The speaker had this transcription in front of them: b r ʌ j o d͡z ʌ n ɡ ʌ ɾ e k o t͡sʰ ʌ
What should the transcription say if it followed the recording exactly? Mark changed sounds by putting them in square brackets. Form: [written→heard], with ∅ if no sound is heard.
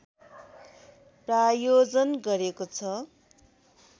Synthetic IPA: [b→p] r [ʌ→a] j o d͡z ʌ n ɡ ʌ ɾ e k o t͡sʰ ʌ